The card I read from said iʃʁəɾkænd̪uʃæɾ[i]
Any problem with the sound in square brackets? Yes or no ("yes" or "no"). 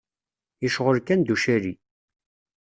no